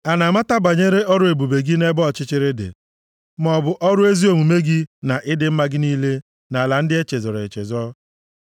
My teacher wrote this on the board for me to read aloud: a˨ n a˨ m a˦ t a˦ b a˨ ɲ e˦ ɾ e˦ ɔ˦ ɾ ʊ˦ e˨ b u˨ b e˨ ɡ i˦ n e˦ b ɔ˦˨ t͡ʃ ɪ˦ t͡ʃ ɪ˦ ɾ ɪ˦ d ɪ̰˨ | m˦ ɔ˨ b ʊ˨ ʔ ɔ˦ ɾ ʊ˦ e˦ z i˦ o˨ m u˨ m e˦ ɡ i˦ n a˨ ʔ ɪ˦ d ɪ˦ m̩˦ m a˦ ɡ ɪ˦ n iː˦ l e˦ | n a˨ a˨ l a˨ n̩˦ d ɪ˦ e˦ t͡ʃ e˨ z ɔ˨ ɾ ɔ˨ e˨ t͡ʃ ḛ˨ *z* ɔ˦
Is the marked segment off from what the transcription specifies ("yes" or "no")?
no